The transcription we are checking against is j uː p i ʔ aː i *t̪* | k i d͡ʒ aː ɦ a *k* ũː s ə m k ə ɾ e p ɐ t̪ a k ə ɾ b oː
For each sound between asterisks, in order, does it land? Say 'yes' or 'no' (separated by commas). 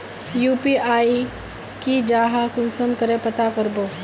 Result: no, yes